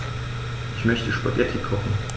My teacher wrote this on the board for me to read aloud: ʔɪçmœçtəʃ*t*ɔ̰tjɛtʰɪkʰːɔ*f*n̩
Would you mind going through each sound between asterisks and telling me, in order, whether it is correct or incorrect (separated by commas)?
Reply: incorrect, incorrect